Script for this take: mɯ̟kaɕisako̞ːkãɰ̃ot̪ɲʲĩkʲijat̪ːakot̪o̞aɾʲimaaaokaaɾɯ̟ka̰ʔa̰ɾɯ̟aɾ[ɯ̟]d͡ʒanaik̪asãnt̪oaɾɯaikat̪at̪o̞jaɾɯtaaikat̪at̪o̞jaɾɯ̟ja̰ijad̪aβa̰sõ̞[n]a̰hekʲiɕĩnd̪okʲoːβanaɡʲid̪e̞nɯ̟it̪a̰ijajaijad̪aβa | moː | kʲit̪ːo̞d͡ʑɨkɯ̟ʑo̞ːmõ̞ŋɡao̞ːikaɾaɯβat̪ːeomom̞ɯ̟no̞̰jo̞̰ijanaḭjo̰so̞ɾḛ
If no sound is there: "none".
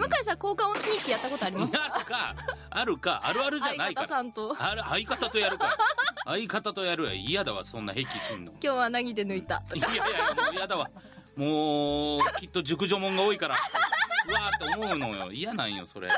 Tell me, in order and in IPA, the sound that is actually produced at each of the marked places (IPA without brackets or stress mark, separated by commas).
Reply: ɯ̟, nː